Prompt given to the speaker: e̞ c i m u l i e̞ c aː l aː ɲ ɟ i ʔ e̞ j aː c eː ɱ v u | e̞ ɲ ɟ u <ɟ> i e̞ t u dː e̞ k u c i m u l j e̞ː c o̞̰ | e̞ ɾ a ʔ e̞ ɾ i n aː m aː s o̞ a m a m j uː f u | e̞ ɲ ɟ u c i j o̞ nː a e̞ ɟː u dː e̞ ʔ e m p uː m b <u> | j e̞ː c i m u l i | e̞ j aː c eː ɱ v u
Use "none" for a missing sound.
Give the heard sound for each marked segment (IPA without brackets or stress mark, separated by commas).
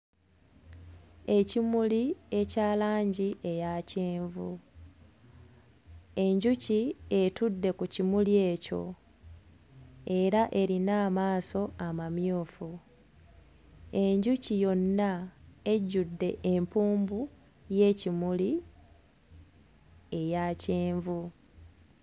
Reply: c, u